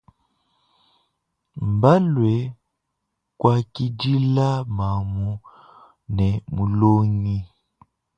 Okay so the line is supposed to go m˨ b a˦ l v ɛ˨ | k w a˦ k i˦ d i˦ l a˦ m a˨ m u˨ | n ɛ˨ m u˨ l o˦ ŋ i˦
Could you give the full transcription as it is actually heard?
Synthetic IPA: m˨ b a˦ l w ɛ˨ | k w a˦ k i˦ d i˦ l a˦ m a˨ m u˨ | n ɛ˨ m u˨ l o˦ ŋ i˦